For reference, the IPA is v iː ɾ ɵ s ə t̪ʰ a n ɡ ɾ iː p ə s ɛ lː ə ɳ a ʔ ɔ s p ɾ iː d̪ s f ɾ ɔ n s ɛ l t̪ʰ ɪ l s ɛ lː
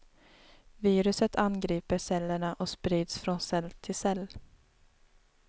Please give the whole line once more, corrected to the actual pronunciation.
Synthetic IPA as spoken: v iː ɾ ɵ s ə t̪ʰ a n ɡ ɾ iː p ə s ɛ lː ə ɳ a ʔ ɔ s p ɾ iː d̪ s f ɾ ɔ n s ɛ l t̪ʰ ɪ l s ɛ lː